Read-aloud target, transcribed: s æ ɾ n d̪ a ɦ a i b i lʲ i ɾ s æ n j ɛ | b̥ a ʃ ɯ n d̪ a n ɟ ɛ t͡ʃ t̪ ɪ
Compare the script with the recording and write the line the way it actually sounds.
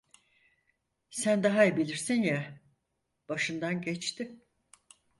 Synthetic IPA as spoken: s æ n d̪ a ɦ a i b i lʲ i ɾ s i n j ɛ | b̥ a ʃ ɯ n d̪ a n ɟ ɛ t͡ʃ t̪ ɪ